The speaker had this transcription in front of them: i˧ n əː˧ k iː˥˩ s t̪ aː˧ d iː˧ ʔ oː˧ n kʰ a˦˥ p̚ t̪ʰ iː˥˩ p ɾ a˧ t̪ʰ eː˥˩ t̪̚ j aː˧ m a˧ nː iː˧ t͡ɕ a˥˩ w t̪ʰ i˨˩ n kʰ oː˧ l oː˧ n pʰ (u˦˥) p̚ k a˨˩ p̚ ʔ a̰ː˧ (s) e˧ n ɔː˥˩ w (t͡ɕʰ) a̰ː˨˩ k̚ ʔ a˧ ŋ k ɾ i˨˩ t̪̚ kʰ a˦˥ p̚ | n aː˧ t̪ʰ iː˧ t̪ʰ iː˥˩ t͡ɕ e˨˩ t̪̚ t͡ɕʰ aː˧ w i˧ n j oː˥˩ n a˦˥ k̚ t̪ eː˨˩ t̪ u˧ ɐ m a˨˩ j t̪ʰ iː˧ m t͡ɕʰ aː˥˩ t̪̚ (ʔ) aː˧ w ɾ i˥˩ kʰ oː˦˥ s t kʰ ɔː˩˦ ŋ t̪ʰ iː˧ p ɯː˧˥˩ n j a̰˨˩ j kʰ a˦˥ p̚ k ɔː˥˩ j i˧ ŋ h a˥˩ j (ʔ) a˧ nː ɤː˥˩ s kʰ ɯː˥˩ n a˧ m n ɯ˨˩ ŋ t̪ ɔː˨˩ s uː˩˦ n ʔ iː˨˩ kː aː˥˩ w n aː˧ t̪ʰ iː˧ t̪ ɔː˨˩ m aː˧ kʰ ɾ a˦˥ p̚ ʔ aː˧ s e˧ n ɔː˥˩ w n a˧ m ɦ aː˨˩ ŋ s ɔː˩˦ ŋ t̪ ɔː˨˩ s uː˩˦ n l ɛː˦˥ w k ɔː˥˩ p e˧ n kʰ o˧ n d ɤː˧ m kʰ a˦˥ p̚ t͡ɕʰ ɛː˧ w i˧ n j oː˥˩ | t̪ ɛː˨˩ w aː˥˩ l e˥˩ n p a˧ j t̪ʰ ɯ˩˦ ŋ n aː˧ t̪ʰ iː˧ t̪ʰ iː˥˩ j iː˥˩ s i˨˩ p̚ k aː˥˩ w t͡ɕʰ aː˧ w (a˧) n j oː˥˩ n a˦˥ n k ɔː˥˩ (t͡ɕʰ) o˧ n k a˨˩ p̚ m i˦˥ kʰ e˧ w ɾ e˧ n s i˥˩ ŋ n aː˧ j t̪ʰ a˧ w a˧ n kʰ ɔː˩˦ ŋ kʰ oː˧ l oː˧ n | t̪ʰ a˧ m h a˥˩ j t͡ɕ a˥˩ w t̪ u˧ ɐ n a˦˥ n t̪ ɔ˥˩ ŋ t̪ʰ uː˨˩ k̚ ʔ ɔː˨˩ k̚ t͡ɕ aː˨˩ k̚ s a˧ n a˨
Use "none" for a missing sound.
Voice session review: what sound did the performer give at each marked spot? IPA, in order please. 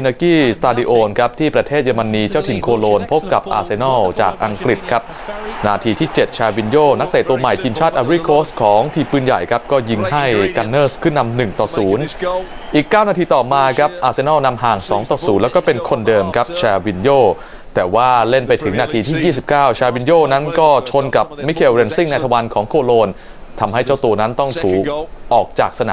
o˦˥, s, t͡ɕ, ʔ, k, i˧, t͡ɕʰ

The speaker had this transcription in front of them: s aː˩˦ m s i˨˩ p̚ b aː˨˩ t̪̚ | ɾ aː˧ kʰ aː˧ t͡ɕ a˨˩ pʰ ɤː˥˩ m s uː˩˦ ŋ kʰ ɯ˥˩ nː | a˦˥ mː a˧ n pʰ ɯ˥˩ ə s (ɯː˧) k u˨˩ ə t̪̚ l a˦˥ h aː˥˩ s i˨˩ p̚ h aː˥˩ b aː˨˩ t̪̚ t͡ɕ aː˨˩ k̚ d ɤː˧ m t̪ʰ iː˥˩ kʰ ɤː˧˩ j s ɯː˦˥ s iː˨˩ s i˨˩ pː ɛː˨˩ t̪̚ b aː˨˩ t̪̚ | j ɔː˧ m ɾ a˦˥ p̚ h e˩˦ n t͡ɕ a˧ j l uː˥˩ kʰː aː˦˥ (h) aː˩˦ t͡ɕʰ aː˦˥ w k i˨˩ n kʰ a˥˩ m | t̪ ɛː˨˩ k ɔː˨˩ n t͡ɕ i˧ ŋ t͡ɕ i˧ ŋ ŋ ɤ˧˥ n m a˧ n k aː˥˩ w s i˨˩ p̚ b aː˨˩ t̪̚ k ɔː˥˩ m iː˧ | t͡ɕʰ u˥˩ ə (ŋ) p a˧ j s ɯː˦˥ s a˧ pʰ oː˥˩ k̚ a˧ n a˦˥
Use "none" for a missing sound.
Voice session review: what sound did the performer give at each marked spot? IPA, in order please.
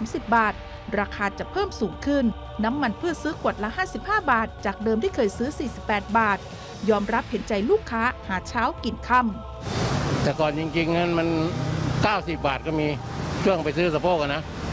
ɯː˦˥, h, ŋ

